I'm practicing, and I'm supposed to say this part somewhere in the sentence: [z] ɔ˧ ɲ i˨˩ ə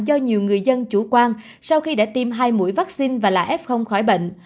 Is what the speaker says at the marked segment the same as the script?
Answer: yes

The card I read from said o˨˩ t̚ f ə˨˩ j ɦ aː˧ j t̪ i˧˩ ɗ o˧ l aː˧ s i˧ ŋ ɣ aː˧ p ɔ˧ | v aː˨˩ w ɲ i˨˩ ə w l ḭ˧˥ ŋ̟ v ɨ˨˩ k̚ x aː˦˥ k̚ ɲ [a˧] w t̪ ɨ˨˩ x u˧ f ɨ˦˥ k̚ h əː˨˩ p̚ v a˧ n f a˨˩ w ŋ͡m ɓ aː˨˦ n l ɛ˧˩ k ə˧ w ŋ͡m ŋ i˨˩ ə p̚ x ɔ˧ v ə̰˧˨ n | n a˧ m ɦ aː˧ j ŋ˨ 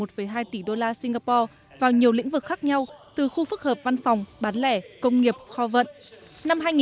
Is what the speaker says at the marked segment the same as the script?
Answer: yes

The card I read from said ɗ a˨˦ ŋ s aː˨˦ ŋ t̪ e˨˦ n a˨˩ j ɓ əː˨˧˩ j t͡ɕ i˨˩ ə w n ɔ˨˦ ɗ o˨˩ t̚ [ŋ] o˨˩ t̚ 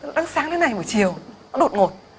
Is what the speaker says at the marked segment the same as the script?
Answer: yes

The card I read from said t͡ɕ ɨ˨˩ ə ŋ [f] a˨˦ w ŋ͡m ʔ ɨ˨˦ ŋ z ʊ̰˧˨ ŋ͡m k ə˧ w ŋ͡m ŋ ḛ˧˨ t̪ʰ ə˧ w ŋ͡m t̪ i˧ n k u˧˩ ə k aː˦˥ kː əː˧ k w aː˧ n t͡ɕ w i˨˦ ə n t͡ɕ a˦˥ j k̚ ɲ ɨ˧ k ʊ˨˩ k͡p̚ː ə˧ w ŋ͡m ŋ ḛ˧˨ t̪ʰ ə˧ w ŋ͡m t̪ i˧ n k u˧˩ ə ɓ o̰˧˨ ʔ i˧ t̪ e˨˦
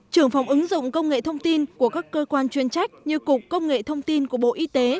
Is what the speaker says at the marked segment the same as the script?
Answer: yes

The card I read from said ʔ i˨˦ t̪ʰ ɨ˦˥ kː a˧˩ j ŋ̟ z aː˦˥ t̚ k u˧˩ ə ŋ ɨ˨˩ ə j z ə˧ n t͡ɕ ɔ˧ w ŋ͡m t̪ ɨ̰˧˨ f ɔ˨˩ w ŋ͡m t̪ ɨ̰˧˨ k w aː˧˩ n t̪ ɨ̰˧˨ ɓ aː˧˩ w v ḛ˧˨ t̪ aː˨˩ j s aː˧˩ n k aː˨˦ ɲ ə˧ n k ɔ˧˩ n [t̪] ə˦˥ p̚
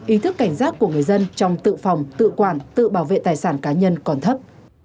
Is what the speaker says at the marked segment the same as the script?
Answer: no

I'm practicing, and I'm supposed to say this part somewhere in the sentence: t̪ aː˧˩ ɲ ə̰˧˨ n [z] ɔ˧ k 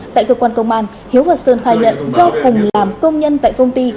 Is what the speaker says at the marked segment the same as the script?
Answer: yes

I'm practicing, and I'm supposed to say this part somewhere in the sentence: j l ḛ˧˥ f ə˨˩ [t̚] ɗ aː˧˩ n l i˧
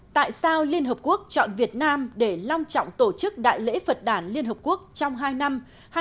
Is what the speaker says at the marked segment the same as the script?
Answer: yes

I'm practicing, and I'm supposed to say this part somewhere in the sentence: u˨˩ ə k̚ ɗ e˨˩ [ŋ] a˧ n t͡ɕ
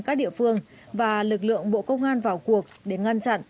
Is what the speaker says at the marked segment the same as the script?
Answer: yes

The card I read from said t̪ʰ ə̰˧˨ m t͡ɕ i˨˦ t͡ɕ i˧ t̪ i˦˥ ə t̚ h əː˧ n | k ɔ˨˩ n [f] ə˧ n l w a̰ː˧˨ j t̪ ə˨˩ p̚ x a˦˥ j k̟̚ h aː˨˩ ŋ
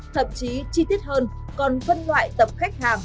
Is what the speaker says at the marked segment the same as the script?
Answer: yes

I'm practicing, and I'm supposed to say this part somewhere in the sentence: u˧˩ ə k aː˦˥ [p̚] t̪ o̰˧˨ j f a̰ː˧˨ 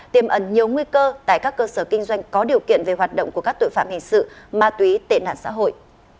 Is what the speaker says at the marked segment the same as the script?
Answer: no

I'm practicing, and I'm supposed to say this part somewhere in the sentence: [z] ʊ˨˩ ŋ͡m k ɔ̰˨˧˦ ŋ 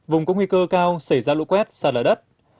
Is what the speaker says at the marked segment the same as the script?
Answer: no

